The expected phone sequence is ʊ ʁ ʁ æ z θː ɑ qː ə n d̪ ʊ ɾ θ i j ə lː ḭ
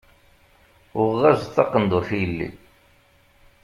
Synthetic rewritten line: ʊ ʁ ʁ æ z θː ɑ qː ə n d̪ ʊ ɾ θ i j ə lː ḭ

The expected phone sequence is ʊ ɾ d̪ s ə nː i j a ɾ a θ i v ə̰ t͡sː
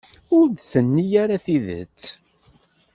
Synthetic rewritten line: ʊ ɾ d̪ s ə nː i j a ɾ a θ i ð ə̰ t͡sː

